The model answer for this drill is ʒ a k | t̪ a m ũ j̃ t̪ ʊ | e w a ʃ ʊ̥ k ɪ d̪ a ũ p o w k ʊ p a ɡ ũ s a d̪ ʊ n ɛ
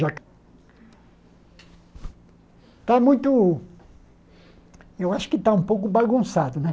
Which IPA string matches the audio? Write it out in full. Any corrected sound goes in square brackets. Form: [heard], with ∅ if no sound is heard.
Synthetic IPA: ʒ a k | t̪ a m ũ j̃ t̪ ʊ | e w a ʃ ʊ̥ k ɪ [t̪] a ũ p o w k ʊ [b] a ɡ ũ s a d̪ ʊ n ɛ